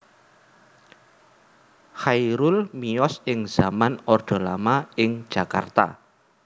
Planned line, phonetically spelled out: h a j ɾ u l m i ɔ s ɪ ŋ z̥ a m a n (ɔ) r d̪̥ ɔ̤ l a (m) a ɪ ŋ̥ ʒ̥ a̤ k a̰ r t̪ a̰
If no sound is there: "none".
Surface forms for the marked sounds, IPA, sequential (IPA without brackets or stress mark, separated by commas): ɔ, m